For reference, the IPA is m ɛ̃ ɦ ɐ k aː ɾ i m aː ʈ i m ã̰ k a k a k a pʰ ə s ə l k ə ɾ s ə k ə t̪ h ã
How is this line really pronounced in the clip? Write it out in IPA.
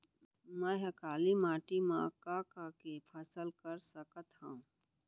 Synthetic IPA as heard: m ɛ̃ ɦ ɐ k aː l i m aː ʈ i m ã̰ k a k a k e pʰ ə s ə l k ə ɾ s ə k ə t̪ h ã